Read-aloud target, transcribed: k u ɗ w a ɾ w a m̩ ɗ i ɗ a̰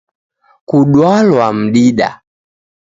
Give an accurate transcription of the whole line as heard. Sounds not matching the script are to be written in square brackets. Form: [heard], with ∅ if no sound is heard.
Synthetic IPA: k u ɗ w a [l] w a m̩ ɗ i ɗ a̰